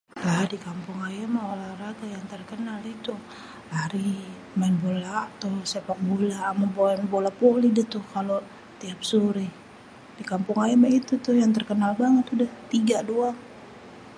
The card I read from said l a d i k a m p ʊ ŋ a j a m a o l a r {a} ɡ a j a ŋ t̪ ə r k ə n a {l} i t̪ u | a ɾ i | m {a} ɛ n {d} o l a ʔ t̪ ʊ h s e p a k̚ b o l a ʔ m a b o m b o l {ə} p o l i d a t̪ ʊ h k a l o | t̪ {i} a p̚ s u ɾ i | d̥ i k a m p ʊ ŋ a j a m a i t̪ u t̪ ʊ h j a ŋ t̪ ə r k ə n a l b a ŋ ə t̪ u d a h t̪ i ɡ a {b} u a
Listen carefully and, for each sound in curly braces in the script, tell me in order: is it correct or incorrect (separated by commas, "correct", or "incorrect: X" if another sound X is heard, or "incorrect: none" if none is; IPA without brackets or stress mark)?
correct, correct, correct, incorrect: b, incorrect: a, correct, incorrect: d